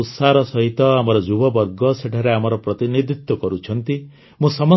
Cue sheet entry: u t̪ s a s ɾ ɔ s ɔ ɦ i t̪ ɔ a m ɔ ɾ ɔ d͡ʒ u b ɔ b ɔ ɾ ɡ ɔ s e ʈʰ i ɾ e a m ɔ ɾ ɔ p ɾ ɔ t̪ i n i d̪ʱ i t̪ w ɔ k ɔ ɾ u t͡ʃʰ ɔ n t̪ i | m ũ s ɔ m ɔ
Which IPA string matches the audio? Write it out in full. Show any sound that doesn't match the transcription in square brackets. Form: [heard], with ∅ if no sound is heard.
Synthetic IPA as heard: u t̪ s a [∅] ɾ ɔ s ɔ ɦ i t̪ ɔ a m ɔ ɾ ɔ d͡ʒ u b ɔ b ɔ ɾ ɡ ɔ s e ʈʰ [a] ɾ e a m ɔ ɾ ɔ p ɾ ɔ t̪ i n i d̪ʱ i t̪ w ɔ k ɔ ɾ u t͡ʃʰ ɔ n t̪ i | m ũ s ɔ m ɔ